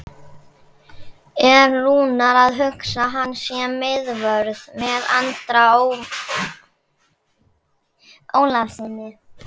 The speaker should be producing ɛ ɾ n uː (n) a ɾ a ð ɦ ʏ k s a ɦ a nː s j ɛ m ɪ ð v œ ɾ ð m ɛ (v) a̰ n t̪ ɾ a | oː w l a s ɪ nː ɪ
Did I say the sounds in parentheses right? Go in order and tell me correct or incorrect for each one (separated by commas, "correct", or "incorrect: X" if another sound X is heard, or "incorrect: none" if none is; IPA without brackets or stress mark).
correct, incorrect: ð